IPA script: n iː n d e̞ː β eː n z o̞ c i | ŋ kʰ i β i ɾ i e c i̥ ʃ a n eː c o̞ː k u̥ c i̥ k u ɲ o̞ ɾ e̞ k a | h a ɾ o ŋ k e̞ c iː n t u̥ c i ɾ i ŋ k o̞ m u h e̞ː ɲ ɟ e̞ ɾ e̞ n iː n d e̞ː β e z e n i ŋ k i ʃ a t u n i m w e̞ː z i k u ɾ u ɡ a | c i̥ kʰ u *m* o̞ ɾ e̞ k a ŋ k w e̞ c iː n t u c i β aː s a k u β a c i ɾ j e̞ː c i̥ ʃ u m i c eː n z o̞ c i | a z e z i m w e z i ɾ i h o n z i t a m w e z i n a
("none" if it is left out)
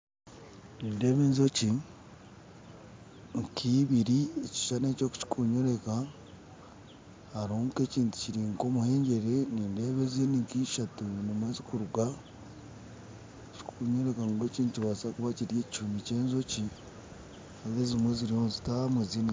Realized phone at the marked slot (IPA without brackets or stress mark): ɲ